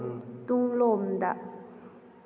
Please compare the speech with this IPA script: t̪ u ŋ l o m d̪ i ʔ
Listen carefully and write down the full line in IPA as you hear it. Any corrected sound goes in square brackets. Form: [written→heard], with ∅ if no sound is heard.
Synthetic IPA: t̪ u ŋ l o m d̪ [i→a] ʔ